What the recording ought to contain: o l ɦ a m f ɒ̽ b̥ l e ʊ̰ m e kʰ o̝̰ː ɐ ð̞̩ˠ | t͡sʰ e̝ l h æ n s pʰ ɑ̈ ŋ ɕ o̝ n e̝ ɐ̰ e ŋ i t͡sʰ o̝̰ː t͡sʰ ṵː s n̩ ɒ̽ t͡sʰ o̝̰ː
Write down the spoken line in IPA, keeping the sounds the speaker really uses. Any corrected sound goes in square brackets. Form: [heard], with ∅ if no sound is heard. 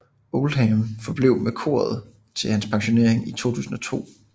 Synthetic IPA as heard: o l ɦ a m f ɒ̽ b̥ l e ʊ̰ m e kʰ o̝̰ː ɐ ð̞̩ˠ | t͡sʰ e̝ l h æ n s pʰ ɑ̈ ŋ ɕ o̝ n e̝ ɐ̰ e ŋ i t͡sʰ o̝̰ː t͡sʰ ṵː s n̩ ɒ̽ t͡sʰ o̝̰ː